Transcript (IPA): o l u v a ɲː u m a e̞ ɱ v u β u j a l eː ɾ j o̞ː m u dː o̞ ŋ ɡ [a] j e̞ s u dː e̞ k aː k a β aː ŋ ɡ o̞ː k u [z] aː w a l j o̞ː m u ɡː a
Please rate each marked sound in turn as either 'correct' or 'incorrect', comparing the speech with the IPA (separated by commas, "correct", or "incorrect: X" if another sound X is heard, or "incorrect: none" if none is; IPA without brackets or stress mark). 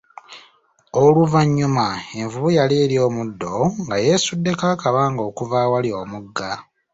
correct, incorrect: v